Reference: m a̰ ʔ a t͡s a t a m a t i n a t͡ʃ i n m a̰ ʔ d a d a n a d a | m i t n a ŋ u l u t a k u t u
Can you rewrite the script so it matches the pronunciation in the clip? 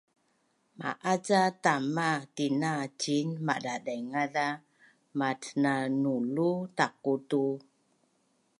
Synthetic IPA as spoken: m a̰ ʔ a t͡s a t a m a t i n a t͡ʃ i n m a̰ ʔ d a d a ŋ a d a | m a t n a n u l u t a k u t u